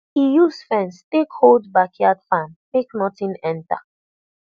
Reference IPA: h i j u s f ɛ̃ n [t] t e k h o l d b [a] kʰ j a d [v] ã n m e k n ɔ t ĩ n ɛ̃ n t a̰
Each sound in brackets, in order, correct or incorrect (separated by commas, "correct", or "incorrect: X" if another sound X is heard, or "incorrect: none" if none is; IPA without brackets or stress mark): incorrect: s, correct, incorrect: f